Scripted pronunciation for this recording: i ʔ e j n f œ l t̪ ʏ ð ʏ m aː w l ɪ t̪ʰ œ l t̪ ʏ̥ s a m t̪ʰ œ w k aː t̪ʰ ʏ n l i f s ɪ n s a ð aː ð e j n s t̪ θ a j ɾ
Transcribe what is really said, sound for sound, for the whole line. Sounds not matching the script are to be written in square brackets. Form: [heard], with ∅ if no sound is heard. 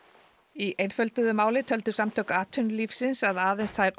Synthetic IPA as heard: i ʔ e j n f œ l t̪ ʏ ð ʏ m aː w l ɪ t̪ʰ œ l t̪ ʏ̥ s a m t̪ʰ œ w k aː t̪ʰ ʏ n l i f s ɪ n s a ð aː ð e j n s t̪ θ a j ɾ